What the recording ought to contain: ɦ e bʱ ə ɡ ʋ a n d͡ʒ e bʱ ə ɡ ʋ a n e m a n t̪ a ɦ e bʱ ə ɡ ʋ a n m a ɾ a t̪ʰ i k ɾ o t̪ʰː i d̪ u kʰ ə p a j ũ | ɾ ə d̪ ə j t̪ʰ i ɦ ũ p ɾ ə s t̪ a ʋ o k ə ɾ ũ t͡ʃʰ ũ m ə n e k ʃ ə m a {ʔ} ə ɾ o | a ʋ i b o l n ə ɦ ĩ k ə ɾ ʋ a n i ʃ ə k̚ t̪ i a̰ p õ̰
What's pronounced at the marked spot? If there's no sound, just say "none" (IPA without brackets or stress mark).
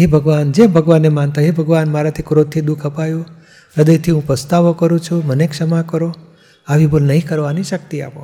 k